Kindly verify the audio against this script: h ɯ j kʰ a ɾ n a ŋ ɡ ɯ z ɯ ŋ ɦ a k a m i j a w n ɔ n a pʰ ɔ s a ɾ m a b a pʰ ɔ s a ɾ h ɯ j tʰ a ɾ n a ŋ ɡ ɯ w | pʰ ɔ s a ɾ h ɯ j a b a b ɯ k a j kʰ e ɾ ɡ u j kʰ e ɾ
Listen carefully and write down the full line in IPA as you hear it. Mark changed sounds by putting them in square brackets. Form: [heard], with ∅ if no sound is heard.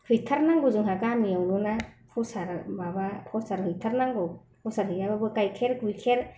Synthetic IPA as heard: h ɯ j [tʰ] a ɾ n a ŋ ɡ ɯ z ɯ ŋ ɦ a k a m i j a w n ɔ n a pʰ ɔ s a ɾ m a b a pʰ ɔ s a ɾ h ɯ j tʰ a ɾ n a ŋ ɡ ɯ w | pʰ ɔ s a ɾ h ɯ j a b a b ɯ k a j kʰ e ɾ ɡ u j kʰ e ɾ